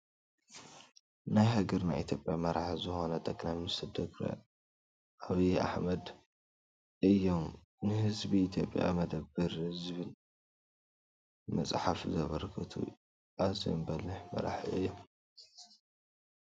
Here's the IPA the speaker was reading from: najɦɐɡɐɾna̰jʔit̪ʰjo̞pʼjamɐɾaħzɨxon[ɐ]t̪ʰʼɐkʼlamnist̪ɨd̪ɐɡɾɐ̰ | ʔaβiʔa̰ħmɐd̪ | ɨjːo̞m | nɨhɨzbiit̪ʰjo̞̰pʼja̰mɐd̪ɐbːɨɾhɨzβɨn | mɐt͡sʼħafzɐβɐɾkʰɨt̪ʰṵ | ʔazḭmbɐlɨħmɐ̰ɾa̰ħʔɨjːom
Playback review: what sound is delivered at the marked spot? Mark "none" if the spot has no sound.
ɐ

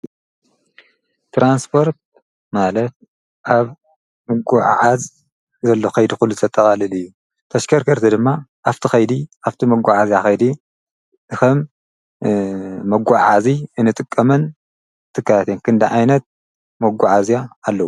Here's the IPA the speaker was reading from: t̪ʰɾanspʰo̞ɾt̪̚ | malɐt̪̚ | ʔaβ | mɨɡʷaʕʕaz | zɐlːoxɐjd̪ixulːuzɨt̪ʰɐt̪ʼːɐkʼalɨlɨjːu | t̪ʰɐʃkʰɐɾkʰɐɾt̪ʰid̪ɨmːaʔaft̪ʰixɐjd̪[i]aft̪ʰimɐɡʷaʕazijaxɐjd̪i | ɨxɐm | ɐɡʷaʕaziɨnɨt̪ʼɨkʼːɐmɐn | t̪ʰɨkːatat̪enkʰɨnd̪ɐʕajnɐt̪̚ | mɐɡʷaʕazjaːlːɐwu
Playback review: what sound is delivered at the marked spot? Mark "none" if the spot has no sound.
i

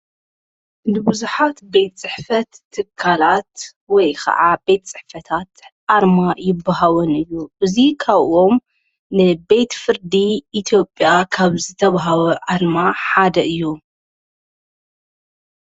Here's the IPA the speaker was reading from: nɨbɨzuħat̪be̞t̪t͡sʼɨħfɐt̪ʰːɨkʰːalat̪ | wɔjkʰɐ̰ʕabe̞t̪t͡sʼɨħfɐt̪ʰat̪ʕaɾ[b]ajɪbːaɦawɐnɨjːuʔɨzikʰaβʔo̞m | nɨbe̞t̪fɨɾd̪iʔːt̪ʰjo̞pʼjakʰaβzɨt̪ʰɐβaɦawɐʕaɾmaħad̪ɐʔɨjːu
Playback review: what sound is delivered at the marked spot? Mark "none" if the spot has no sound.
m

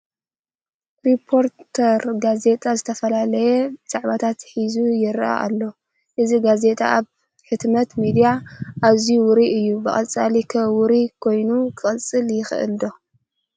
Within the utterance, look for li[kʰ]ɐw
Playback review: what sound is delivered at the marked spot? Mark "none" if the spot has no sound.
kʰ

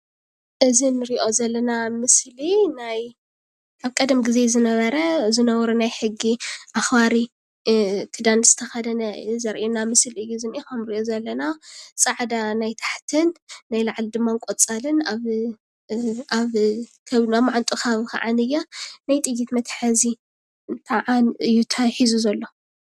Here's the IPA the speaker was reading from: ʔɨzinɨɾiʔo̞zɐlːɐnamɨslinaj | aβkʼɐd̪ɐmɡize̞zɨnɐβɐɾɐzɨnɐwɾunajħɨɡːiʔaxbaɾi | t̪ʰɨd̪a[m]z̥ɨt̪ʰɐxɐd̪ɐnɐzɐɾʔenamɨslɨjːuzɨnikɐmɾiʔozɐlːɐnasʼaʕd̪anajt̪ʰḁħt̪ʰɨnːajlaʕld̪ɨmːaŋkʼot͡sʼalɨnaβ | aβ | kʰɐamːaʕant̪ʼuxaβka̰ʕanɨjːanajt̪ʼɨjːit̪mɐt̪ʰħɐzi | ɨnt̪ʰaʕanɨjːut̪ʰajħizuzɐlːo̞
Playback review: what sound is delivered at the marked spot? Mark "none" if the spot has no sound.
n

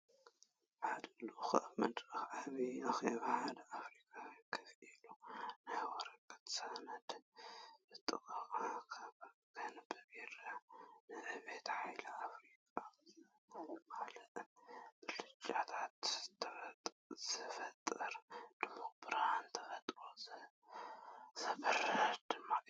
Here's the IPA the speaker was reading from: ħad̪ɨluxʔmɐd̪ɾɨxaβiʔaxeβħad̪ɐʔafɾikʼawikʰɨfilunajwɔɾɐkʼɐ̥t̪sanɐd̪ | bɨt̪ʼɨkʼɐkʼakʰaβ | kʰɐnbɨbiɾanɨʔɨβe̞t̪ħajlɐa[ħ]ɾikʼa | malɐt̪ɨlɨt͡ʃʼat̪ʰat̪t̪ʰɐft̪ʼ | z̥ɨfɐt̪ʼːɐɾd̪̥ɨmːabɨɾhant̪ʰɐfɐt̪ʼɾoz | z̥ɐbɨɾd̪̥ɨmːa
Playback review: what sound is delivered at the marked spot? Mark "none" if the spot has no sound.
f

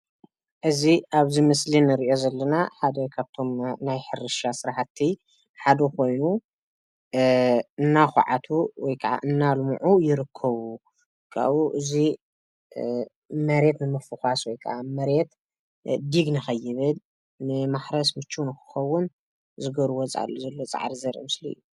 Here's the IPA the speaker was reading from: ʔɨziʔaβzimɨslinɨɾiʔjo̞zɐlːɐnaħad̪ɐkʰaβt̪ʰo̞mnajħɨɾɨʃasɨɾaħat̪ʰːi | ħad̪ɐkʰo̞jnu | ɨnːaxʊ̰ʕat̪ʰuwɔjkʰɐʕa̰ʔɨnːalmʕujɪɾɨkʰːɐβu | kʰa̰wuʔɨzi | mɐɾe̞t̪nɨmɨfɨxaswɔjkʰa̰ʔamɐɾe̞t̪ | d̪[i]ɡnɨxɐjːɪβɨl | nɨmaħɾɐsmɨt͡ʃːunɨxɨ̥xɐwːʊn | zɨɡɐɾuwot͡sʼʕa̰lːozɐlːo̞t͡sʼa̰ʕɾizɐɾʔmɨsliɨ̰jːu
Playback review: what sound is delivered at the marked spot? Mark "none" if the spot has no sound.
i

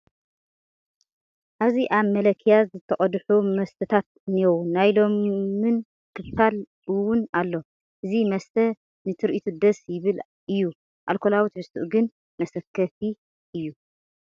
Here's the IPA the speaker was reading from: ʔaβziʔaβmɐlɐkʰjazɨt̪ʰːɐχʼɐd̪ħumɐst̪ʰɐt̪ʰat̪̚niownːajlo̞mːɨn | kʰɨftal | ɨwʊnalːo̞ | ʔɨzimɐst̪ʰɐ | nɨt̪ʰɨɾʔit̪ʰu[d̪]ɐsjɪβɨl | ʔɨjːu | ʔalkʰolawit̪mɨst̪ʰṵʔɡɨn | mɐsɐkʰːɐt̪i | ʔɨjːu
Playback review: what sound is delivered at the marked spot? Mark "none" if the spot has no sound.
d̪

